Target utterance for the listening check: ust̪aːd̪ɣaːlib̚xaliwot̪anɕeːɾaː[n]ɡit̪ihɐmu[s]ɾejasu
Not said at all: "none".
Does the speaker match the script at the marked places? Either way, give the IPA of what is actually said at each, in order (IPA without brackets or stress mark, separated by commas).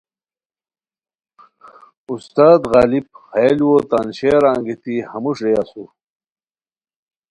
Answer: ŋ, ʂ